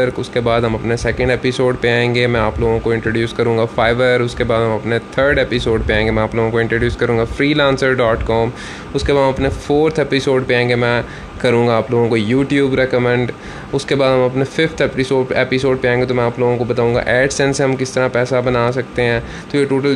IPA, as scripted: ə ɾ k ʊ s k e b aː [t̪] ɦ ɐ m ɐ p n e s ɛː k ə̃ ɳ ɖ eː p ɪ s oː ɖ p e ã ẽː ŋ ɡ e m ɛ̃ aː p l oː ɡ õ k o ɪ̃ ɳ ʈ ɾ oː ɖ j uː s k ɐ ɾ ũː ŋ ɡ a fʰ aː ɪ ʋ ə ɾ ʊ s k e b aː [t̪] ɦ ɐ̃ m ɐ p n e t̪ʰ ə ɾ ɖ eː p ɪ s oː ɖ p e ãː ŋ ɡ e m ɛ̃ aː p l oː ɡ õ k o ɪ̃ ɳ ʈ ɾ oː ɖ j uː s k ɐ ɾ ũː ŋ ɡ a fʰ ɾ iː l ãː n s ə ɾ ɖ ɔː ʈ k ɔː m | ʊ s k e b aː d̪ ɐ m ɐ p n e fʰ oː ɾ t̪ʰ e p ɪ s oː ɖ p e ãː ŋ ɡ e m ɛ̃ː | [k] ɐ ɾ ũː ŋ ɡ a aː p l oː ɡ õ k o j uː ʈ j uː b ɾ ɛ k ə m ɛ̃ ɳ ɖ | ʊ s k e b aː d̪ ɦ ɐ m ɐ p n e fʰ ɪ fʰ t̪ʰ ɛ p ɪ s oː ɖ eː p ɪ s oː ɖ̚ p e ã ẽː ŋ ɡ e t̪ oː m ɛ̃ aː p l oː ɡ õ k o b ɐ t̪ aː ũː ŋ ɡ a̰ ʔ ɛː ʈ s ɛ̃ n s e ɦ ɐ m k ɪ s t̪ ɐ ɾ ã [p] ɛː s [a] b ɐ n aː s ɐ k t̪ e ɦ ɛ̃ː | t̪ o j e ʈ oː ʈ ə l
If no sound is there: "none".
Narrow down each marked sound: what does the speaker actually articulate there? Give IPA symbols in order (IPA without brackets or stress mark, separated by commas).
d̪, d̪, k, p, a